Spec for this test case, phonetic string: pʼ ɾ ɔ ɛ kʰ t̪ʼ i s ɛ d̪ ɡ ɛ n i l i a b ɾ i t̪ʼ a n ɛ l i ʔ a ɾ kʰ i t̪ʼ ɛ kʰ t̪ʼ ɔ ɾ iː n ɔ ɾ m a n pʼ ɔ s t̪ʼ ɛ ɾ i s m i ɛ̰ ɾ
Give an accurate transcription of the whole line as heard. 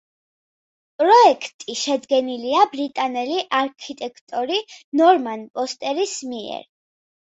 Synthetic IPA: pʼ ɾ ɔ ɛ kʰ t̪ʼ i ʃ ɛ d̪ ɡ ɛ n i l i a b ɾ i t̪ʼ a n ɛ l i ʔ a ɾ kʰ i t̪ʼ ɛ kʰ t̪ʼ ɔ ɾ i n ɔ ɾ m a n pʼ ɔ s t̪ʼ ɛ ɾ i s m i ɛ̰ ɾ